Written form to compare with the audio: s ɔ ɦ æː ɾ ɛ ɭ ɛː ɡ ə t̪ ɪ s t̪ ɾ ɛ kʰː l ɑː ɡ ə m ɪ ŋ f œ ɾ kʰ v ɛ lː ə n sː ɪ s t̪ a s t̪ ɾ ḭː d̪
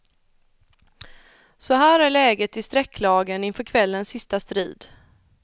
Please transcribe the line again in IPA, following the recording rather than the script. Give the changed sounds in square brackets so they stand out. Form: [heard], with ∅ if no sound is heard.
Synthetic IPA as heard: s ɔ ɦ æː ɾ [æ] ɭ ɛː ɡ ə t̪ ɪ s t̪ ɾ ɛ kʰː l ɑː ɡ ə [n] ɪ [n] f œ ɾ kʰ v ɛ lː ə n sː ɪ s t̪ a s t̪ ɾ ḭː d̪